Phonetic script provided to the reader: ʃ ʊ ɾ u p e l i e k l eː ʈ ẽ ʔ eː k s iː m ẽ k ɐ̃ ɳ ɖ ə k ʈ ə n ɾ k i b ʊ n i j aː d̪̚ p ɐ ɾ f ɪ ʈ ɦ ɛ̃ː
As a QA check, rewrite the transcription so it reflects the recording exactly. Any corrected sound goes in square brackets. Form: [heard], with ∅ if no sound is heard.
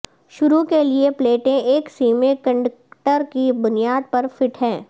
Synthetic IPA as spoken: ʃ ʊ ɾ u [k] e l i e [p] l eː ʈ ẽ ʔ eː k s iː m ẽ k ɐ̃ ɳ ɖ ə k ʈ ə [∅] ɾ k i b ʊ n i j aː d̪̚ p ɐ ɾ f ɪ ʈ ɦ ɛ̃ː